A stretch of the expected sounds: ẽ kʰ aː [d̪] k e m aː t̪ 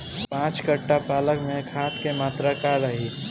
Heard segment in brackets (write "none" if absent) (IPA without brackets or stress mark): t̪